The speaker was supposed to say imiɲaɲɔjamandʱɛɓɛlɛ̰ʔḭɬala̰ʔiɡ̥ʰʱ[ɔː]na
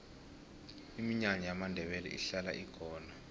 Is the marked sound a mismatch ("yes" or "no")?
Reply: no